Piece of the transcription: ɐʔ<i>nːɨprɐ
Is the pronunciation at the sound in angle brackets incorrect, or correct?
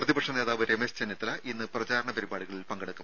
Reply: correct